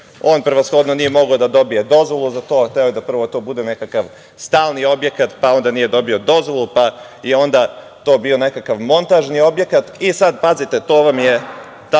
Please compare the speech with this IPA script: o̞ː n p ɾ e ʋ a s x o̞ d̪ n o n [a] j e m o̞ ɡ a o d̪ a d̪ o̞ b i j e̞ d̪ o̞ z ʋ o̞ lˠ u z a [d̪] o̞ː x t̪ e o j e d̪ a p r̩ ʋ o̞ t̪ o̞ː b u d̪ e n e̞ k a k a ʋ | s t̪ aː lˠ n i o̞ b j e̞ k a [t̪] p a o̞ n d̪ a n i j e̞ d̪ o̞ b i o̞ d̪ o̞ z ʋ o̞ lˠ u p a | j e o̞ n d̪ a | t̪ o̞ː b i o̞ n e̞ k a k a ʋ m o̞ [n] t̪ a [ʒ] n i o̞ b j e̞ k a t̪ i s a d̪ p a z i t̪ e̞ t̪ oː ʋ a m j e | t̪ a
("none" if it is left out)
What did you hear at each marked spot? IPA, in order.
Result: i, t̪, t̪, n, ʒ

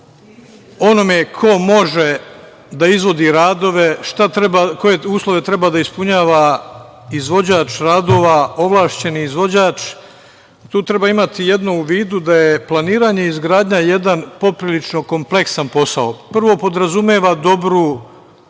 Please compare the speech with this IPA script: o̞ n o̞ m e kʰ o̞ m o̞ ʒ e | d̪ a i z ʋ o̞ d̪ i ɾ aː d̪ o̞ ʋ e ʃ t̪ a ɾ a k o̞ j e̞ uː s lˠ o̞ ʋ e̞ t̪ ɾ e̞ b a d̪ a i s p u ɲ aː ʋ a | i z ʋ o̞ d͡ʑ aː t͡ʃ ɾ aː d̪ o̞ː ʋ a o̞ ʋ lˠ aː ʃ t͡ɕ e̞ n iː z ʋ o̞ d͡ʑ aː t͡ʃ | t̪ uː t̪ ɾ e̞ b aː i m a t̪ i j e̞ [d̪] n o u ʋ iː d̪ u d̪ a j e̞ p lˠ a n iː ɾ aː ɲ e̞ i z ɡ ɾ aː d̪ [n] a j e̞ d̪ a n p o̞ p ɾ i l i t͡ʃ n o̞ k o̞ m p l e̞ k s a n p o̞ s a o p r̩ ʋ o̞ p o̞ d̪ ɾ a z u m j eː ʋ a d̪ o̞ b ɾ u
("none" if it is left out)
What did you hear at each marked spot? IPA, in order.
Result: d̪, ɲ

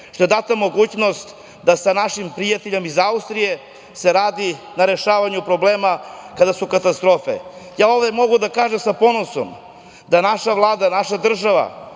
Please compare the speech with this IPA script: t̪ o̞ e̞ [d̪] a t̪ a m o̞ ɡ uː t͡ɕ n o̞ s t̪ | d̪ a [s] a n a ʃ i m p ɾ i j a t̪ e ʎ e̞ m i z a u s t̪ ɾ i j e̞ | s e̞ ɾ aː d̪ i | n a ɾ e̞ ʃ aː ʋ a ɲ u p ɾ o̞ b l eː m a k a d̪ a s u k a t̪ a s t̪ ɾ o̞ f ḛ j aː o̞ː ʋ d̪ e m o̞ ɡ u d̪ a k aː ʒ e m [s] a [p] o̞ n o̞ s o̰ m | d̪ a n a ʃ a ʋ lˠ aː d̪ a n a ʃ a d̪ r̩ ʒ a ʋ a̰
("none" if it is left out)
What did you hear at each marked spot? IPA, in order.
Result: d̪, s, s, p

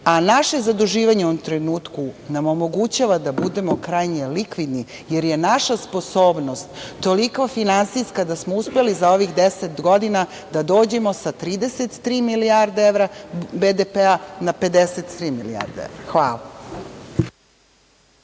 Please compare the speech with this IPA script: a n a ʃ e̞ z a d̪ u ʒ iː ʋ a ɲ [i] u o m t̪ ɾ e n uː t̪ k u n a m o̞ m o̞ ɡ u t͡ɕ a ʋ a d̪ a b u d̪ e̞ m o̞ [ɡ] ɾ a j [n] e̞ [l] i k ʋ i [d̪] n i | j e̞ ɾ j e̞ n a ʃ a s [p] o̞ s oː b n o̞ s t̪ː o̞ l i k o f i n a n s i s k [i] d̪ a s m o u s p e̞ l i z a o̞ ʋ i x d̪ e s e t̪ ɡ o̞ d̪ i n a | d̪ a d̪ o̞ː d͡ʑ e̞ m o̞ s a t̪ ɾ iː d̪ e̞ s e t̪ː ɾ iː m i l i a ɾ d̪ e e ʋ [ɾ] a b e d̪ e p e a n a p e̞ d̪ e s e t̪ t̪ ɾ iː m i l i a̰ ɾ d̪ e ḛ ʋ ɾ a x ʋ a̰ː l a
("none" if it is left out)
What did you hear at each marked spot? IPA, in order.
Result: e, k, ɲ, l, d̪, p, a, ɾ

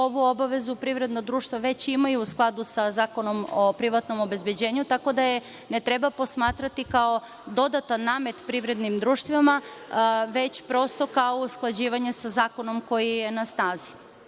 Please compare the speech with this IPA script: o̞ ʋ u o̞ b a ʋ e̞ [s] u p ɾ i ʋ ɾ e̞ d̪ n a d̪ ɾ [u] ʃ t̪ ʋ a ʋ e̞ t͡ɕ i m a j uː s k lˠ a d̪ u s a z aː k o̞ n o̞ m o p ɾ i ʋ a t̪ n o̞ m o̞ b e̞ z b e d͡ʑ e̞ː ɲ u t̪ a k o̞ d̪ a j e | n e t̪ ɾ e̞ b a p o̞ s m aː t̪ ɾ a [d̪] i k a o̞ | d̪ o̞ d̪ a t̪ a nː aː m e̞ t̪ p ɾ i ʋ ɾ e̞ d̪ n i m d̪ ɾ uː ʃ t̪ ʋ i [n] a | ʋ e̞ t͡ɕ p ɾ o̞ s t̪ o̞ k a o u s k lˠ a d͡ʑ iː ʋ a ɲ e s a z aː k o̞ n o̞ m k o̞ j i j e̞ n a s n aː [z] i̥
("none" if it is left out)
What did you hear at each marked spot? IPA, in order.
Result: z, uː, t̪, m, z

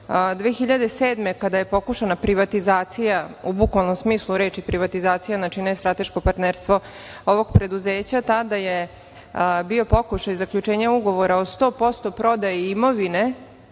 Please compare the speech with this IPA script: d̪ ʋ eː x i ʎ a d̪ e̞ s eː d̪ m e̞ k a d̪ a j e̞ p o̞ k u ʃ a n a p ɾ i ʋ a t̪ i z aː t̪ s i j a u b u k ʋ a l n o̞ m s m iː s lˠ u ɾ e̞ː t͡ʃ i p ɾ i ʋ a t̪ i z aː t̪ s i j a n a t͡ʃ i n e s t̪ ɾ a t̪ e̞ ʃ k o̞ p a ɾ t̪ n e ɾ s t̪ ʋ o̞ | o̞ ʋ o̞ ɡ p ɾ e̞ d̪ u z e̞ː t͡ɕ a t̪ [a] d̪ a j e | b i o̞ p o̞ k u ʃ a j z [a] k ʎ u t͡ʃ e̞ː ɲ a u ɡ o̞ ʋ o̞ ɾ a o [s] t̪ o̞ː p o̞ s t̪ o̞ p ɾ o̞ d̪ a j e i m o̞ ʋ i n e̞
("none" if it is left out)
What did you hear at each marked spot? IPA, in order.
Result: a, a, s

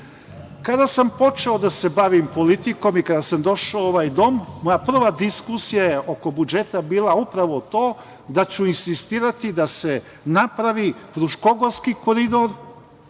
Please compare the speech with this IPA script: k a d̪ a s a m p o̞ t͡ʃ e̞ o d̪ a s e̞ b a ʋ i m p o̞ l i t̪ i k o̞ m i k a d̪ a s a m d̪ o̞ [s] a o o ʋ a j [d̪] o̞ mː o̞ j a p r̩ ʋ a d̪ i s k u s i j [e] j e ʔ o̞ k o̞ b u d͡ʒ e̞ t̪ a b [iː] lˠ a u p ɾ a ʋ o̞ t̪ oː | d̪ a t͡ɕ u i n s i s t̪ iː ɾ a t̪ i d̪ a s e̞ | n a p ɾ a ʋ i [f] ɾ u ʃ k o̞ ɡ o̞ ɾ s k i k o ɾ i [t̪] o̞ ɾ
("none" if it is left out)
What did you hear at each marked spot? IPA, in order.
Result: ʃ, d̪, a, iː, f, d̪

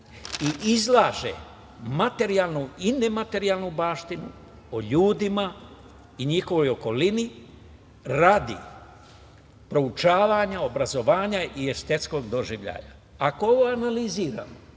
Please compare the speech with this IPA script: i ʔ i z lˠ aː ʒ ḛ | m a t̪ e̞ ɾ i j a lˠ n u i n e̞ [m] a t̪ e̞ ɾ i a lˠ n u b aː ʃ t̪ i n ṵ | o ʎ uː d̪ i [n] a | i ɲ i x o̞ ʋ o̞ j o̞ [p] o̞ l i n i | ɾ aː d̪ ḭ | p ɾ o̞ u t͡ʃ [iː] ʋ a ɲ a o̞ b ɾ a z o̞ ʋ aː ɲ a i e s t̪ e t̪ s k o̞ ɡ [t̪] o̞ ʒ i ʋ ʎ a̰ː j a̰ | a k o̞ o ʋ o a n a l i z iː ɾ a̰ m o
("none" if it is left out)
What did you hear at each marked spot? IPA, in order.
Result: m, m, k, aː, d̪

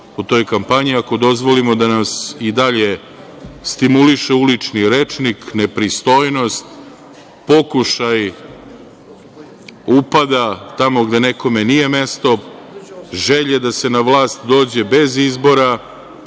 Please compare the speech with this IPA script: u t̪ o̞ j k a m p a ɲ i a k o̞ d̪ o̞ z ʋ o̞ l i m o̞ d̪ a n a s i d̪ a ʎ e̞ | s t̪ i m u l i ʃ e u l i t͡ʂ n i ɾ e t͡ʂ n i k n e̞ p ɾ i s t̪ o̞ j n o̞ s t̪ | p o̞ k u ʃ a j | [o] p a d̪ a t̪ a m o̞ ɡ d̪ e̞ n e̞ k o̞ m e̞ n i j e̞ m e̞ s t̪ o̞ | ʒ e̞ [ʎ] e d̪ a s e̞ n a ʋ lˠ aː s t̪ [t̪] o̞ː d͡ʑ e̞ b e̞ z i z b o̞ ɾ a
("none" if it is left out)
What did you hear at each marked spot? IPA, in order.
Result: u, ʎ, d̪

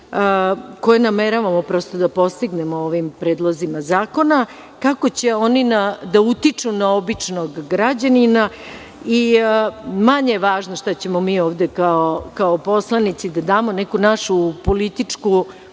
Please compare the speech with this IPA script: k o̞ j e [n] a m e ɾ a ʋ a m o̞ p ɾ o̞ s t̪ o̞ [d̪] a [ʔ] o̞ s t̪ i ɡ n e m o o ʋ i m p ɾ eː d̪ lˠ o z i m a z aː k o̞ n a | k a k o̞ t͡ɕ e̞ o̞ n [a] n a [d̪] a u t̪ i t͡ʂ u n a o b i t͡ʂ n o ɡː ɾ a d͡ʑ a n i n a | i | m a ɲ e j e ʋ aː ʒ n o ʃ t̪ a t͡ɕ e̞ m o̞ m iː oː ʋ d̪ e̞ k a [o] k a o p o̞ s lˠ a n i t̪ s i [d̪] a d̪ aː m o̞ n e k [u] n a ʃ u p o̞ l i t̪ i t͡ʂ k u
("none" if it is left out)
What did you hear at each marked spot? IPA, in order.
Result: n, d̪, p, i, d̪, o, d̪, u

